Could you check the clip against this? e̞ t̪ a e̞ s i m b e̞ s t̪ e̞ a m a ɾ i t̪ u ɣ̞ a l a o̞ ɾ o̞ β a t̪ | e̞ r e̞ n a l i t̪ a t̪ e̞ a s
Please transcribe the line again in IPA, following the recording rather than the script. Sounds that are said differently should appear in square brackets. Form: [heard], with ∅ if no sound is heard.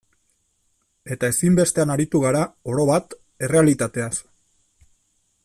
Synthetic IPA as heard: e̞ t̪ a e̞ s i m b e̞ s t̪ e̞ a [n] a ɾ i t̪ u ɣ̞ a [ɾ] a o̞ ɾ o̞ β a t̪ | e̞ r e̞ [∅] a l i t̪ a t̪ e̞ a s